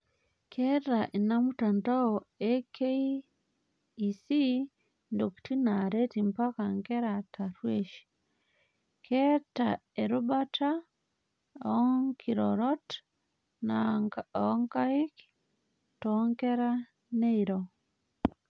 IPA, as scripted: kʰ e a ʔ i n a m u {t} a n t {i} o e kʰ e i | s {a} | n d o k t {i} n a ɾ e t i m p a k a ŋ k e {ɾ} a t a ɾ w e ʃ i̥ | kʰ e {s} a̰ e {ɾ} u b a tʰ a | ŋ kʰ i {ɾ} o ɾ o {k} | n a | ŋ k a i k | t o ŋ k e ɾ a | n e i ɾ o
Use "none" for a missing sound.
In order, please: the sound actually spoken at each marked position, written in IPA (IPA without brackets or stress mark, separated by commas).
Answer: t, a, i, i, ɾ, t, ɾ, ɾ, t